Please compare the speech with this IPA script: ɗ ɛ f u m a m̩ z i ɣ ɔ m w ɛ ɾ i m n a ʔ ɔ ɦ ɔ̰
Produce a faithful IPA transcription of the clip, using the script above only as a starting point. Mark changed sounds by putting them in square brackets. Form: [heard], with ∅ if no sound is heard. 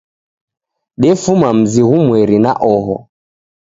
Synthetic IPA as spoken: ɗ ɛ f u m a m̩ z i ɣ [u] m w ɛ ɾ i [∅] n a ʔ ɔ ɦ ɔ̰

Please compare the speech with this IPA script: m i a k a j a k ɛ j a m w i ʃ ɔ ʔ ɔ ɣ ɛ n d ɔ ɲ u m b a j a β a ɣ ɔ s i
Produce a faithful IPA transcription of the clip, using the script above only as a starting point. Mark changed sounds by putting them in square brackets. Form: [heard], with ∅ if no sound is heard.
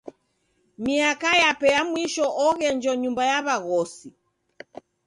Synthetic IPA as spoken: m i a k a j a [p] ɛ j a m w i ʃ ɔ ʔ ɔ ɣ ɛ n [d͡ʒ] ɔ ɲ u m b a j a β a ɣ ɔ s i

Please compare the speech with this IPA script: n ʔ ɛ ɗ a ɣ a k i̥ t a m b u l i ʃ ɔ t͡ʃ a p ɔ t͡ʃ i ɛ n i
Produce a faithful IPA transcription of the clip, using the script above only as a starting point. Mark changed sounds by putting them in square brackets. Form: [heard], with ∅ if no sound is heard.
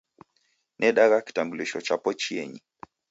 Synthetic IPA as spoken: n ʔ ɛ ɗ a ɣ a k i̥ t a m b u l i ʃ ɔ t͡ʃ a p ɔ t͡ʃ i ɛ [ɲ] i

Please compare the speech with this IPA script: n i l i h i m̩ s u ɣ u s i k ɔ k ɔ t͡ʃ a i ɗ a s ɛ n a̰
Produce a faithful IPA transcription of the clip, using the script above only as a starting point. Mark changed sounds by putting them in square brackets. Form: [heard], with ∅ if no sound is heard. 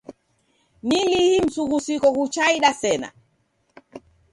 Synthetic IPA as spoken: n i l i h i m̩ s u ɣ u s i k ɔ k [u] t͡ʃ a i ɗ a s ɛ n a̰

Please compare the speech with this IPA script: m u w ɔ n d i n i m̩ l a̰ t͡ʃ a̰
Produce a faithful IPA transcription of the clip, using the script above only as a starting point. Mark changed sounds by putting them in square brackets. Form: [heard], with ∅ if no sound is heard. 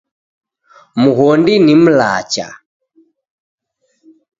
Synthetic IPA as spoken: m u [ɣ] ɔ n d i n i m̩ l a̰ t͡ʃ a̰

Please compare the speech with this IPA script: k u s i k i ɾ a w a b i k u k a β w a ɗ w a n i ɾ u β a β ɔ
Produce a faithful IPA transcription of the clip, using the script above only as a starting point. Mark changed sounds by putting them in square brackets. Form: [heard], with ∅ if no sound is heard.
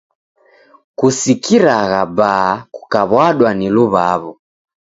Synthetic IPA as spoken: k u s i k i ɾ a [ɣ] a b [a] k u k a β w a ɗ w a n i [l] u β a β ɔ

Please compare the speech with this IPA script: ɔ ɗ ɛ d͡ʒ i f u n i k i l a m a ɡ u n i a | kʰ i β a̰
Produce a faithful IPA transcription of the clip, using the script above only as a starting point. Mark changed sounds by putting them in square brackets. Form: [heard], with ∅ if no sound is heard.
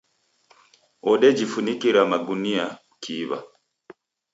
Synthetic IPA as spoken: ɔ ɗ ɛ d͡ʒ i f u n i k i [ɾ] a m a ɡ u n i a | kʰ i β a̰

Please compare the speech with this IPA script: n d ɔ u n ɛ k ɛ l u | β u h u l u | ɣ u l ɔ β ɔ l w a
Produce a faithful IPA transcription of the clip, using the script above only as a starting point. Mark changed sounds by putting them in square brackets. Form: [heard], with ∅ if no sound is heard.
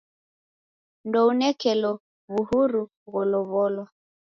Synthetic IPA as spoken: n d ɔ u n ɛ k ɛ l [ɔ] | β u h u [ɾ] u | ɣ [ɔ] l ɔ β ɔ l w a

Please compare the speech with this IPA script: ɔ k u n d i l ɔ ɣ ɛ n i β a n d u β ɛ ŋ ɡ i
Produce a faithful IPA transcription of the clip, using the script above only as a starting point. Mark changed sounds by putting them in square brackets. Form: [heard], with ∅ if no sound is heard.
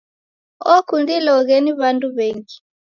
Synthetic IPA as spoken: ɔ k u n d i l ɔ ɣ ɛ n i β a n d u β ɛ ŋ ɡ i

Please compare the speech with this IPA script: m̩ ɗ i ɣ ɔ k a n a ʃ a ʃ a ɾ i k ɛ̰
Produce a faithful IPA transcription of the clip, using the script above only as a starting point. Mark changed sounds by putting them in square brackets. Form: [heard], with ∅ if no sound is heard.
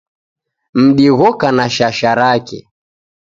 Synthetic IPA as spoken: m̩ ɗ i ɣ ɔ k a n a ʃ a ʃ a ɾ [a] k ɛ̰

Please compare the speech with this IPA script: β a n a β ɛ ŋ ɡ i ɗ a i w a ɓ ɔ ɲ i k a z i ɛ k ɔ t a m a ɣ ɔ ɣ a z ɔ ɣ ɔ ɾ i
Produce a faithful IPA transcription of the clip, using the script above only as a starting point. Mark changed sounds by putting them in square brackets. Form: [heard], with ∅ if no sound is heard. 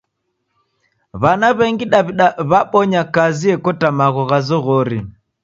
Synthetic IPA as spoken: β a n a β ɛ ŋ ɡ i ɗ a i [β] a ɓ ɔ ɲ [a] k a z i ɛ k ɔ t a m a ɣ ɔ ɣ a z ɔ ɣ ɔ ɾ i

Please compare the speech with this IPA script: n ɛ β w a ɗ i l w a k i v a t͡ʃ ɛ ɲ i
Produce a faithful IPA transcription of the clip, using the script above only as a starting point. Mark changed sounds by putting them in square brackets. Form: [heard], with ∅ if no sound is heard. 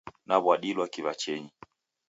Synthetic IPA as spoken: n [a] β w a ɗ i l w a k i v a t͡ʃ ɛ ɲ i

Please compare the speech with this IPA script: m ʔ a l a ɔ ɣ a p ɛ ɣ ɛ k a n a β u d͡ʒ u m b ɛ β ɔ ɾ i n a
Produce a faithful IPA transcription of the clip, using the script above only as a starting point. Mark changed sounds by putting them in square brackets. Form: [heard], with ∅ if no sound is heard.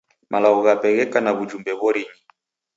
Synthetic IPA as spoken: m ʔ a l a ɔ ɣ a p ɛ ɣ ɛ k a n a β u d͡ʒ u m b ɛ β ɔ ɾ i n [i]

